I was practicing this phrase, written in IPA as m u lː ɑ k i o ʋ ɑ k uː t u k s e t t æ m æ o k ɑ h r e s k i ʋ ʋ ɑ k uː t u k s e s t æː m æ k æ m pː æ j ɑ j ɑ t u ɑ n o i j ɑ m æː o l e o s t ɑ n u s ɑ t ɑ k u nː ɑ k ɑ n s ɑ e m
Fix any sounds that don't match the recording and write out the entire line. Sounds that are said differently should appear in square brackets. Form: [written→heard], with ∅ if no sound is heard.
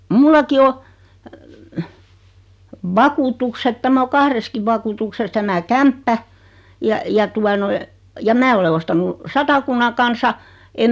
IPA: m u lː ɑ k i o ʋ ɑ k uː t u k s e t t æ m æ o k ɑ h r e s k i ʋ ʋ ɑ k uː t u k s e s t [æː→æ] m æ k æ m pː æ j ɑ j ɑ t u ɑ n o i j ɑ m æː o l e o s t ɑ n u s ɑ t ɑ k u nː ɑ k ɑ n s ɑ e m